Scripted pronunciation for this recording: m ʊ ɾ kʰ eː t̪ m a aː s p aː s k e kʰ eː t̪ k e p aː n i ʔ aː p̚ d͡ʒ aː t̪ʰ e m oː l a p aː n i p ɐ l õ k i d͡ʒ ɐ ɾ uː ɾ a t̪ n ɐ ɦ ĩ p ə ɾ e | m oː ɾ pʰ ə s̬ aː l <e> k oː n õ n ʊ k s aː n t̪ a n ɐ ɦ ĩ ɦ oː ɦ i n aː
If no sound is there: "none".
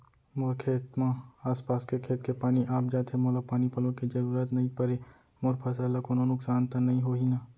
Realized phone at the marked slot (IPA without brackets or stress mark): a